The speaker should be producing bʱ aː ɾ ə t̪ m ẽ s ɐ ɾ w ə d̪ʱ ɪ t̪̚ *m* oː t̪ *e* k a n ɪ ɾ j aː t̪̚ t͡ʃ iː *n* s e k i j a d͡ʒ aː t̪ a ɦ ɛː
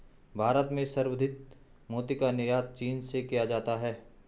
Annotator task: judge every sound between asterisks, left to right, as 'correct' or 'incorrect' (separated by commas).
correct, incorrect, correct